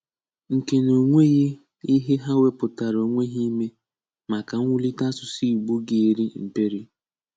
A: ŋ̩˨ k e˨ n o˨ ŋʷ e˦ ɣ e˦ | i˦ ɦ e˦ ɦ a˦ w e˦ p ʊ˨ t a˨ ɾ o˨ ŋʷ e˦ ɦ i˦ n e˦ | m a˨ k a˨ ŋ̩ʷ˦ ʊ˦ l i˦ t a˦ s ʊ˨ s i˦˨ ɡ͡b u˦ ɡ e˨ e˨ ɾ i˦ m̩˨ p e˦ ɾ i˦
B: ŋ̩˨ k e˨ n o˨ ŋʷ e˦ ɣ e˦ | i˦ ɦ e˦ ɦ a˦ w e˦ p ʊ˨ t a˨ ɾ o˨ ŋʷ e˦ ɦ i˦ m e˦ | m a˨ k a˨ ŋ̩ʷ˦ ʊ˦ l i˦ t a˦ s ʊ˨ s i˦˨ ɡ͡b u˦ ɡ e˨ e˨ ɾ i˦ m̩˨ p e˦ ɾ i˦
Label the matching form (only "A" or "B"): B